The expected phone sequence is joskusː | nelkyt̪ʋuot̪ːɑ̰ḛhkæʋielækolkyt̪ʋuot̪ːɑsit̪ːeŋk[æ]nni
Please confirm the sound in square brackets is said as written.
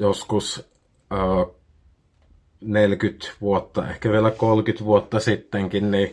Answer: no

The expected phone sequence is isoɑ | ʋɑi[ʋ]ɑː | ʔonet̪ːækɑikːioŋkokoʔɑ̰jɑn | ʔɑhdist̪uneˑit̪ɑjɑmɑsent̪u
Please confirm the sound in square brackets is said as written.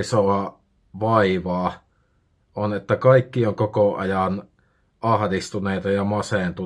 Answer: yes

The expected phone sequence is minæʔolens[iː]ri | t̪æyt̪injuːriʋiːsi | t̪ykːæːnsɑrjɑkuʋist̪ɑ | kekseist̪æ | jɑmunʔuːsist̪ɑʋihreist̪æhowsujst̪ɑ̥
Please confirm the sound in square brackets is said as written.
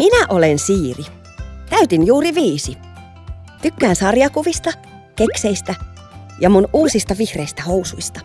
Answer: yes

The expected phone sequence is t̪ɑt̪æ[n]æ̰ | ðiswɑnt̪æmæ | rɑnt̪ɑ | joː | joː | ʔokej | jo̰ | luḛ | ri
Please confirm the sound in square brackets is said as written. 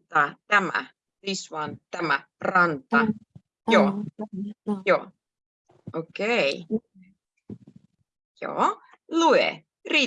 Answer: no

